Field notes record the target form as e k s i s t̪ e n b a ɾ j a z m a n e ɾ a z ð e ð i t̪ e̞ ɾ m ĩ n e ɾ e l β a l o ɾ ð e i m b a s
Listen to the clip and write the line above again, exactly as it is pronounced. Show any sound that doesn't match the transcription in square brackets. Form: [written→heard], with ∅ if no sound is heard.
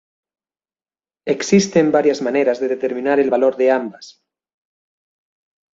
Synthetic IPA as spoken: e k s i s t̪ e [n→m] b a ɾ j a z m a n e ɾ a z ð e ð [i→e] t̪ e̞ ɾ m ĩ n [e→a] ɾ e l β a l o ɾ ð e [i→a] m b a s